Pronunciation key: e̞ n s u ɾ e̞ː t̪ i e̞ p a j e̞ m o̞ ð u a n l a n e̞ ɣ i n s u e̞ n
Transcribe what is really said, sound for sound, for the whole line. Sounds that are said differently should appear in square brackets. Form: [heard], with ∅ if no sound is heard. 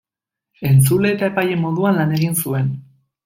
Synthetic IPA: e̞ n [t͡s] u [l] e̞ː t̪ [a] e̞ p a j e̞ m o̞ ð u a n l a n e̞ ɣ i n s u e̞ n